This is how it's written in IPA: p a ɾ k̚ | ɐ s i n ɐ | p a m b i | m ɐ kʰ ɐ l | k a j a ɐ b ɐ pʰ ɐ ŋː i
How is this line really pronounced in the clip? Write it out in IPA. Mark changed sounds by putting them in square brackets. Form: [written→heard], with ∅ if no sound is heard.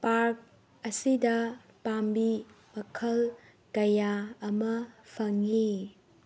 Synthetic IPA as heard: p a ɾ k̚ | ɐ s i [n→d] ɐ | p a m b i | m ɐ kʰ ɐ l | k [a→ɐ] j a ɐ [b→m] ɐ pʰ ɐ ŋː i